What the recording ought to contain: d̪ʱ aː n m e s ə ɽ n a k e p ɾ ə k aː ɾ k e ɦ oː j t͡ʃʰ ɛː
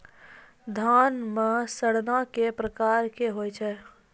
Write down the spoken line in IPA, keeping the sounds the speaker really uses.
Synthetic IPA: d̪ʱ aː n m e s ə ɽ n a k e p ɾ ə k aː ɾ k e ɦ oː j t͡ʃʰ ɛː

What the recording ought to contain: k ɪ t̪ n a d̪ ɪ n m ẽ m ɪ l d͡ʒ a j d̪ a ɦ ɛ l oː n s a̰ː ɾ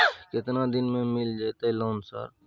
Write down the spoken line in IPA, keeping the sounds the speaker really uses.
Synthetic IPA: k ɪ t̪ n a d̪ ɪ n m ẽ m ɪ l d͡ʒ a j t̪ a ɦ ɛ l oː n s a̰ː ɾ

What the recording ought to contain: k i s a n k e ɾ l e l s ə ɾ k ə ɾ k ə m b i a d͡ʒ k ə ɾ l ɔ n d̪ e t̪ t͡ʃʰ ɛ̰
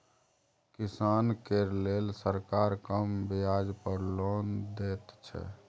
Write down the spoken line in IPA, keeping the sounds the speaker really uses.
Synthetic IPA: k i s a n k e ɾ l e l s ə ɾ k a ɾ k ə m b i a d͡ʒ p ə ɾ l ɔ n d̪ e t̪ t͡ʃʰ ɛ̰

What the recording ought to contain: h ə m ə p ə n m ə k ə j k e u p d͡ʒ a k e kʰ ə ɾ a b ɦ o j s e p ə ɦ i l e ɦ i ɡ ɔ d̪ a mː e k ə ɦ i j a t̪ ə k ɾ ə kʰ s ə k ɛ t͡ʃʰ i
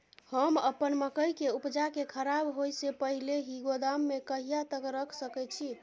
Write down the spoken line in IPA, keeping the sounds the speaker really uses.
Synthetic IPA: h ə m ə p ə n m ə k ə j k e u p d͡ʒ a k e kʰ ə ɾ a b ɦ o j s e p ə ɦ i l e ɦ i ɡ o d̪ a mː e k ə ɦ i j a t̪ ə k ɾ ə kʰ s ə k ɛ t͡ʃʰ i

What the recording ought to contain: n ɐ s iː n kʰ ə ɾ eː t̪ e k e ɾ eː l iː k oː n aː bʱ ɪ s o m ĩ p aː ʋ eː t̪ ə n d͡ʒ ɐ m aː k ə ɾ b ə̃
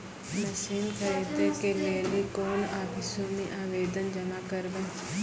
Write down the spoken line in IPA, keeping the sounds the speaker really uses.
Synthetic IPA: n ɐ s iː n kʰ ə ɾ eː t̪ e k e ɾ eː l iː k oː n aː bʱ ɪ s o m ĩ ʔ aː ʋ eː d̪ ə n d͡ʒ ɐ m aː k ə ɾ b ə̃

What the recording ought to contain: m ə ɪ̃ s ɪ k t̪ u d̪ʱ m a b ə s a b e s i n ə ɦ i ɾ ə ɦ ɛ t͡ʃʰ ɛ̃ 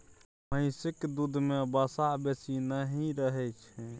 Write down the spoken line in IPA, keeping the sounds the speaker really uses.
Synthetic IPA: m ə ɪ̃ s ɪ k d̪ u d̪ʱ m e b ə s a b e s i n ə ɦ i ɾ ə ɦ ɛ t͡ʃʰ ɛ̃

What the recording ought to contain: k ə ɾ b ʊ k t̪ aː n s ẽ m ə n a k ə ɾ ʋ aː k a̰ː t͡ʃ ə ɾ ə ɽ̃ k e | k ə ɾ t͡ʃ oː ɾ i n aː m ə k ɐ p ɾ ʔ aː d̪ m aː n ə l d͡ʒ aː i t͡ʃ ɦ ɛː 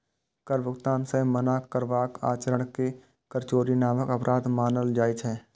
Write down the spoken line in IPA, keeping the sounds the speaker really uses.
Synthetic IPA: k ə ɾ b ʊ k t̪ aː n s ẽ m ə n a k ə ɾ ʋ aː k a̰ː t͡ʃ ə ɾ ə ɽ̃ k e | k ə ɾ t͡ʃ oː ɾ i n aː m ə k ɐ p ɾ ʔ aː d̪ m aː n ə l d͡ʒ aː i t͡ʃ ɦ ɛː

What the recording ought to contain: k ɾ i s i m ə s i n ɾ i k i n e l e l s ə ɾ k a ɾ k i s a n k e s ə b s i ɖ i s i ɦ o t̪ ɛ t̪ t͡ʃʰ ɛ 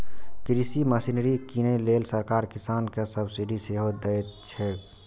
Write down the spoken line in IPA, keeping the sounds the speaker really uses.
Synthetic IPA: k ɾ i s i m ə s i n ɾ i k i n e l e l s ə ɾ k a ɾ k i s a n k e s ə b s i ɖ i s e ɦ o d̪ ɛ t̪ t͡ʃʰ ɛ

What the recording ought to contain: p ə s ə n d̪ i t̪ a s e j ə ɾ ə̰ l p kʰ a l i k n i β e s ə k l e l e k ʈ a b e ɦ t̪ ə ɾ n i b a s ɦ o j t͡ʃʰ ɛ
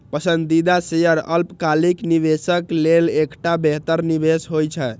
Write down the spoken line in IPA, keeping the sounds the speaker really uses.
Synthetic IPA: p ə s ə n d̪ i d̪ a s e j ə ɾ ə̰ l p k a l i k n i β e s ə k l e l e k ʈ a b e ɦ t̪ ə ɾ n i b e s ɦ o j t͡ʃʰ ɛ

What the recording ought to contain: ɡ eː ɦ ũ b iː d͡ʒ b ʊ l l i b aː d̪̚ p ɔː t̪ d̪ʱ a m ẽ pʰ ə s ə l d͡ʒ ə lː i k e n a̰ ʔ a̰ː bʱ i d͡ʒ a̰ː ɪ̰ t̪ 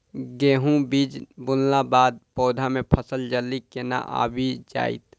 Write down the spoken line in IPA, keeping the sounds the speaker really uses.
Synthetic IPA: ɡ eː ɦ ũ b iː d͡ʒ b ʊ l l a b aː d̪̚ p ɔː d̪ʱ a m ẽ pʰ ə s ə l d͡ʒ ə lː i k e n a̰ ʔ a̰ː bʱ i d͡ʒ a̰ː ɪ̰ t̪

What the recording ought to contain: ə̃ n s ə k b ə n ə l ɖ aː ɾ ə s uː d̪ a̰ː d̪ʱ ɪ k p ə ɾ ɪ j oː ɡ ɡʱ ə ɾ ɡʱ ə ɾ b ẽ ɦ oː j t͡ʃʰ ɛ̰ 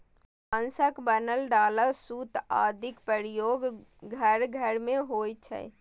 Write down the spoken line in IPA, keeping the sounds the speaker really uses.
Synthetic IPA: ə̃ n s ə k b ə n ə l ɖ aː l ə s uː t̪ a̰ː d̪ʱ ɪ k p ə ɾ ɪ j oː ɡ ɡʱ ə ɾ ɡʱ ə ɾ m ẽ ɦ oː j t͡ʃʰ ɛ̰

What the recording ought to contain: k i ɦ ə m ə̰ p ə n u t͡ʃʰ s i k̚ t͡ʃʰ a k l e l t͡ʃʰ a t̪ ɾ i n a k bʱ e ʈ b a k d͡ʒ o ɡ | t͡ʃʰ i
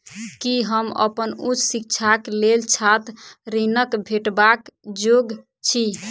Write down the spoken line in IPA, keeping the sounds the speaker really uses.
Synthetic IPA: k i ɦ ə m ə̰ p ə n u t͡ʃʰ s i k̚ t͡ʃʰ a k l e l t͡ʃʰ a t̪ ɾ i n ə k bʱ e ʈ b a k d͡ʒ o ɡ | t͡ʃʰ i

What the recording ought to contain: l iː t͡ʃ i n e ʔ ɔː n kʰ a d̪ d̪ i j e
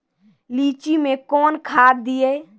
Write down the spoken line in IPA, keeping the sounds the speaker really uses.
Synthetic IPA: l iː t͡ʃ i m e k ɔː n kʰ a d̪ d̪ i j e

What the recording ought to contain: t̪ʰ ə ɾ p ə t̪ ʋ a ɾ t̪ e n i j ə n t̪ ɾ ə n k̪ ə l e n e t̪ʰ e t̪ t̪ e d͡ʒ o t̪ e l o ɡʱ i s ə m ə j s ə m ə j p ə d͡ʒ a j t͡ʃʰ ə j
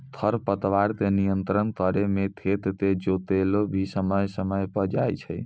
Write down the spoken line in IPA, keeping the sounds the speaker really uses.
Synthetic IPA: t̪ʰ ə ɾ p ə t̪ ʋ a ɾ t̪ e n i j ə n t̪ ɾ ə n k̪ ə ɾ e m e t̪ʰ e t̪ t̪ e d͡ʒ o t̪ e l o bʱ i s ə m ə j s ə m ə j p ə d͡ʒ a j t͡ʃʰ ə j

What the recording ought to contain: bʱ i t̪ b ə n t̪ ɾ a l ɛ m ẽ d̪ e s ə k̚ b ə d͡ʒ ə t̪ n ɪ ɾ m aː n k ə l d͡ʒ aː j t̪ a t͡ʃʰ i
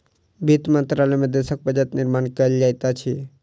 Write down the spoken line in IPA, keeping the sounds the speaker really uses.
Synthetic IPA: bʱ i t̪ m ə n t̪ ɾ a l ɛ m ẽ d̪ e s ə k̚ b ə d͡ʒ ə t̪ n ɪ ɾ m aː n k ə l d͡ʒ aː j t̪ a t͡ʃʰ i

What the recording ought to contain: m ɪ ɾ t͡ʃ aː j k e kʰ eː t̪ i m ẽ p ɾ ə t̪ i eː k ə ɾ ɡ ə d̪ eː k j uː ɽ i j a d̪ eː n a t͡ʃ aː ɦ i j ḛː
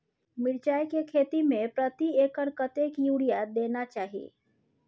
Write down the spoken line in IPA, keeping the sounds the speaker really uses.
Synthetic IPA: m ɪ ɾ t͡ʃ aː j k e kʰ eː t̪ i m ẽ p ɾ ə t̪ i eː k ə ɾ k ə t̪ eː k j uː ɽ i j a d̪ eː n a t͡ʃ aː ɦ i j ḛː

